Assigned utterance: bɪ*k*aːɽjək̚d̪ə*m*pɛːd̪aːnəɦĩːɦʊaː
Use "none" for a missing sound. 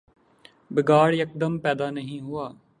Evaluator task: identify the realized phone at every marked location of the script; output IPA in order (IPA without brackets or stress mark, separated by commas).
ɡ, m